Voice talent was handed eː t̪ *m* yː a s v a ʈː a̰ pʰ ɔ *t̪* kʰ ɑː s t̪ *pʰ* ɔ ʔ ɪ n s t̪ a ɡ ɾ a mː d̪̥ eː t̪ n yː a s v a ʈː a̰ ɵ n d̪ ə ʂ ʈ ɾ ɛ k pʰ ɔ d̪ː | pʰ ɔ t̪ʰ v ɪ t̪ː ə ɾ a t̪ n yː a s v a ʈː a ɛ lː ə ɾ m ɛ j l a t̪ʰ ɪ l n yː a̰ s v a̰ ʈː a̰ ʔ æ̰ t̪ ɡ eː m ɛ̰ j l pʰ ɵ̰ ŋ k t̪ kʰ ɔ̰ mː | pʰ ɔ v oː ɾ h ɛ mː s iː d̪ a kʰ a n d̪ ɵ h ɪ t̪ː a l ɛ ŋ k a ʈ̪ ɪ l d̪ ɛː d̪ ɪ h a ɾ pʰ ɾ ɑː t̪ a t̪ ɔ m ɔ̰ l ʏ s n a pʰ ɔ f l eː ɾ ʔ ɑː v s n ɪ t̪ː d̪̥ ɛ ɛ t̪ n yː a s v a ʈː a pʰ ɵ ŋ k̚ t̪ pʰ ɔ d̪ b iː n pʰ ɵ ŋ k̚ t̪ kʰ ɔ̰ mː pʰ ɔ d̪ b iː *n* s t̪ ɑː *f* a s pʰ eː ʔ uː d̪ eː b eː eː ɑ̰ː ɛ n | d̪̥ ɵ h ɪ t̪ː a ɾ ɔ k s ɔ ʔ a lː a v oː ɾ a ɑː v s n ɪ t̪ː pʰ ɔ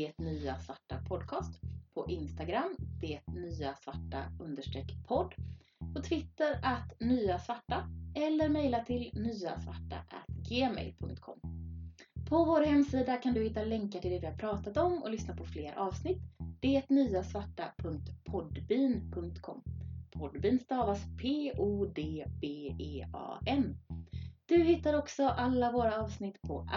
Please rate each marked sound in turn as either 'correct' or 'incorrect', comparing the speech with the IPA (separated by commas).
incorrect, incorrect, correct, correct, incorrect